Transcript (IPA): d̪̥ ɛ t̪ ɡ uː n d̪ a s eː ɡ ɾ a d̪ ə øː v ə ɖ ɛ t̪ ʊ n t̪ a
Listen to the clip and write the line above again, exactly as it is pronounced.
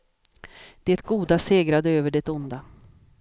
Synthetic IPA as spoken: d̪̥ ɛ t̪ ɡ uː d̪ a s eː ɡ ɾ a d̪ ə øː v ə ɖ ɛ t̪ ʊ n d̪ a